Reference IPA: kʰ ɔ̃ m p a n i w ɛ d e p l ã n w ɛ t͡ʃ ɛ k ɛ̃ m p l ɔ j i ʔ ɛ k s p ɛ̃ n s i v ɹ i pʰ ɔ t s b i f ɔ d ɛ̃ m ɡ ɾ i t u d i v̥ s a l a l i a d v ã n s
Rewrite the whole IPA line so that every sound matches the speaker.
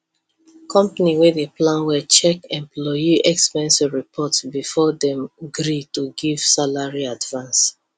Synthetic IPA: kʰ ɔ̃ m p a n i w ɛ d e p l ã n w ɛ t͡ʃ ɛ k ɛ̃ m p l ɔ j i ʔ ɛ k s p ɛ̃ n s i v ɹ i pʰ ɔ t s b i f ɔ d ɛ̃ m ɡ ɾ i t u ɡ i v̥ s a l a ɹ i a d v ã n s